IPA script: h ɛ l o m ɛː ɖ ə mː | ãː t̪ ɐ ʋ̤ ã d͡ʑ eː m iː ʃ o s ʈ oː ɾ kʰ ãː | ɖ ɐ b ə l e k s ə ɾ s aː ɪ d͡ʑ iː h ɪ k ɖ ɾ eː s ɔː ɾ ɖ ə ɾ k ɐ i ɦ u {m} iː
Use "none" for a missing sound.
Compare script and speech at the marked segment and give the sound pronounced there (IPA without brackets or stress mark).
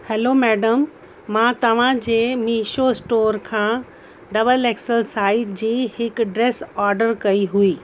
none